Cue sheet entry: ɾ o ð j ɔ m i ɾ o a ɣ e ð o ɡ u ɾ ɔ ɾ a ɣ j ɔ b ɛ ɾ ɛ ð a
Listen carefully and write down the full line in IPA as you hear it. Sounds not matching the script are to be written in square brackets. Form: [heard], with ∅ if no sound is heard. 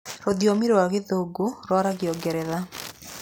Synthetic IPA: ɾ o ð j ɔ m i ɾ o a ɣ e ð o ɡ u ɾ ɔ ɾ a ɣ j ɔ [ɡ] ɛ ɾ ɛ ð a